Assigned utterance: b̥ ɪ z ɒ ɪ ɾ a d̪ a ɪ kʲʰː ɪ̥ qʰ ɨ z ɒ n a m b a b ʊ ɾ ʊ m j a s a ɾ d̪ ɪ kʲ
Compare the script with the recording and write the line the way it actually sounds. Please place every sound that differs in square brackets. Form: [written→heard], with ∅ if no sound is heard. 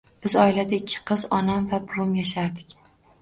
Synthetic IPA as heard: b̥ ɪ z ɒ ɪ [ɾ→l] a d̪ a ɪ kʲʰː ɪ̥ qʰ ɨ z ɒ n a m [b→v] a b ʊ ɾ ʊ m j a [s→ʃ] a ɾ d̪ ɪ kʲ